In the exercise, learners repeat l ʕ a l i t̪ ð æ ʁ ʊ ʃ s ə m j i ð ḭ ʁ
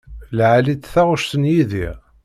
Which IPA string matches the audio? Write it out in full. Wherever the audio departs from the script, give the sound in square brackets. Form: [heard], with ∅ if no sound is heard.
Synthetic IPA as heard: l ʕ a l i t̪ [θ] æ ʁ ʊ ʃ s ə [n] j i ð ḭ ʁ